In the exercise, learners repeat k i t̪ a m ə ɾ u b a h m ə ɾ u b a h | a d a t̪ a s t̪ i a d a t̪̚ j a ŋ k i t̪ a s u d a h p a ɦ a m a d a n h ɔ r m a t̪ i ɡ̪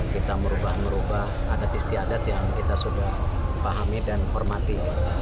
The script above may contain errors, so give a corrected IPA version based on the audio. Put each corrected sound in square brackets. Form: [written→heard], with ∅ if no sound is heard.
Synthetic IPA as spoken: k i t̪ a m ə ɾ u b a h m ə ɾ u b a h | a d a t̪ [a→i] s t̪ i a d a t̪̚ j a ŋ k i t̪ a s u d a h p a ɦ a m [a→i] d a n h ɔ r m a t̪ i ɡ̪